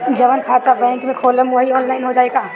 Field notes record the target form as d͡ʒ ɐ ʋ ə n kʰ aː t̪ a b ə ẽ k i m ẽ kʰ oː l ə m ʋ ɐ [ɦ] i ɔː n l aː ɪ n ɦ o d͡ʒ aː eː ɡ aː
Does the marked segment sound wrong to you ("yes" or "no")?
no